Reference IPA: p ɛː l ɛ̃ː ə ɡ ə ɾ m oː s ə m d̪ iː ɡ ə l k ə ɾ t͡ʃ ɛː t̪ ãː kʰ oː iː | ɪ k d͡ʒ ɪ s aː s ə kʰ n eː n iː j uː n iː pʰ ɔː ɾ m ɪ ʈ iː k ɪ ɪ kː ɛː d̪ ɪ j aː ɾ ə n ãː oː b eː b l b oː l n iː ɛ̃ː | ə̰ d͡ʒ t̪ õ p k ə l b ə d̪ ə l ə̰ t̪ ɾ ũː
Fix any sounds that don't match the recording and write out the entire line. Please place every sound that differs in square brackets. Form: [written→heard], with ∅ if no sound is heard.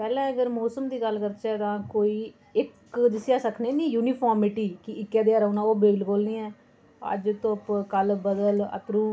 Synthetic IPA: p ɛː l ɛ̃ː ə ɡ ə ɾ m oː s ə m d̪ iː ɡ ə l k ə ɾ t͡ʃ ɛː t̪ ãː [kʰ→k] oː iː | ɪ k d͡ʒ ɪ s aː s ə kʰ n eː n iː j uː n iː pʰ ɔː ɾ m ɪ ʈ iː k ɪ ɪ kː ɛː d̪ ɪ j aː ɾ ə n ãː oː b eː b l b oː l n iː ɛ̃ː | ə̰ d͡ʒ t̪ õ p k ə l b ə d̪ ə l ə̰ t̪ ɾ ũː